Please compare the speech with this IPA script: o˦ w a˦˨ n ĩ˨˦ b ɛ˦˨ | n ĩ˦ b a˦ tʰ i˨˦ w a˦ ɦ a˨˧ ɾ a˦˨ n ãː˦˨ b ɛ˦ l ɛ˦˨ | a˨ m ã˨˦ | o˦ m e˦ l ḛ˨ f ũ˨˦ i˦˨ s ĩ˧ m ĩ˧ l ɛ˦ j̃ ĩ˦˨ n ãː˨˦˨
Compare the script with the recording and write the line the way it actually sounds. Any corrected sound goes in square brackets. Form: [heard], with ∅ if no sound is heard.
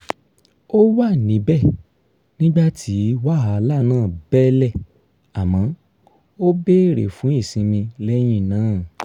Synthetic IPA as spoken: o˦ w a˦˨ n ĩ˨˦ b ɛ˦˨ | n ĩ˦ [ɡ͡b] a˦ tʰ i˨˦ w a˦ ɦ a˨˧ [l] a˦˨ n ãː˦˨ b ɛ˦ l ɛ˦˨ | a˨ m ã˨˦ | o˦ [b] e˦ [ɾ] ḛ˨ f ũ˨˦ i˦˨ s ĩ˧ m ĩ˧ l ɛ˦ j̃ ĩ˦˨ n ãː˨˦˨